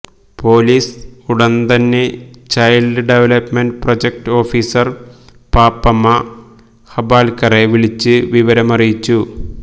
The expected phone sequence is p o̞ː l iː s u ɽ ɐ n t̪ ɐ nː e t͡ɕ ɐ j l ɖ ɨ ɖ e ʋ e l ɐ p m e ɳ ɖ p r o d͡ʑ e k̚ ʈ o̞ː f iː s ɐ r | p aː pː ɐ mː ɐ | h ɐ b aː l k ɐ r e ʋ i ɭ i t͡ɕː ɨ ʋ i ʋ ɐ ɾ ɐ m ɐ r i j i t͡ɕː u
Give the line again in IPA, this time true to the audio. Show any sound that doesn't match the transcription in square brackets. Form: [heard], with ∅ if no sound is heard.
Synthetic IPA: p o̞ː l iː s u ɽ ɐ n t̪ ɐ nː e t͡ɕ ɐ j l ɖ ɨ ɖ e ʋ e l ɐ p m e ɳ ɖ p r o d͡ʑ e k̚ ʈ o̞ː f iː s ɐ r | p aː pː ɐ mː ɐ | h ɐ b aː l k ɐ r e ʋ i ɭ i t͡ɕː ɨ ʋ i ʋ ɐ ɾ ɐ m ɐ r i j i t͡ɕː u

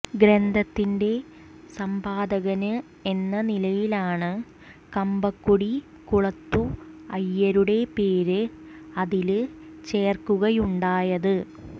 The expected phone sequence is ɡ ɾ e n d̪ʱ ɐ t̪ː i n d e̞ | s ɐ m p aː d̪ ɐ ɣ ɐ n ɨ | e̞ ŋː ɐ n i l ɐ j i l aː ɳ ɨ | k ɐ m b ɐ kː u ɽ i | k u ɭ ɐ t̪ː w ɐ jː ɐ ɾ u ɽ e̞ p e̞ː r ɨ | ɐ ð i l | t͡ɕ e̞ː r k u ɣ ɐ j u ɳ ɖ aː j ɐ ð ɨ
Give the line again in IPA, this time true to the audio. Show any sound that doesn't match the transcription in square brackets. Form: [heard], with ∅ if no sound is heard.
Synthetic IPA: ɡ ɾ e n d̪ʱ ɐ t̪ː i n d e̞ | s ɐ m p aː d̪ ɐ ɣ ɐ n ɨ | e̞ [nː] ɐ n i l ɐ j i l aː ɳ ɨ | k ɐ m b ɐ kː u ɽ i | k u ɭ ɐ t̪ː [u] ɐ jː ɐ ɾ u ɽ e̞ p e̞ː [ɾ] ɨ | ɐ ð i l | t͡ɕ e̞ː r k u ɣ ɐ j u ɳ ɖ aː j ɐ ð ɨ

